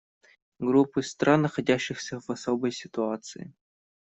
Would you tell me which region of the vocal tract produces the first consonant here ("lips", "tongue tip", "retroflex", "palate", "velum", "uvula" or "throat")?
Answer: velum